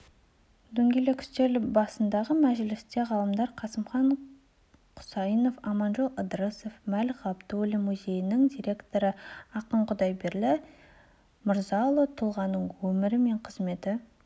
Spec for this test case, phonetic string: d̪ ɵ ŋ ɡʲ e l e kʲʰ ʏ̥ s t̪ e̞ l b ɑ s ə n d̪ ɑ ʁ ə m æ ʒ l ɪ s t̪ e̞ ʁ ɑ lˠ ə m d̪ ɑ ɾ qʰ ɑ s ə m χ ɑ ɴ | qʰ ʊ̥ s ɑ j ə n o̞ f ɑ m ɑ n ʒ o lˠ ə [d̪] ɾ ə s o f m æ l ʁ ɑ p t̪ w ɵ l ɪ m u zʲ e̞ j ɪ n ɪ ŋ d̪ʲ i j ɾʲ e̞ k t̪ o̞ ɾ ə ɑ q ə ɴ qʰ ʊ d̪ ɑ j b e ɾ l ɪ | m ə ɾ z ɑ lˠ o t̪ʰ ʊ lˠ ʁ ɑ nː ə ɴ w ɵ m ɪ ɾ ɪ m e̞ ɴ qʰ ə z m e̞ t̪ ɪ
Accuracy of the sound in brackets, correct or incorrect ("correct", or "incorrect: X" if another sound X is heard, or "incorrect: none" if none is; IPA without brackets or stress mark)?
correct